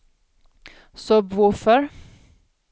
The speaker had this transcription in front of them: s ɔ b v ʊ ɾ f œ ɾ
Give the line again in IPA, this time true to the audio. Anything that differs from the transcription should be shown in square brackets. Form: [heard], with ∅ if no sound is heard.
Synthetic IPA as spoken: s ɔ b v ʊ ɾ f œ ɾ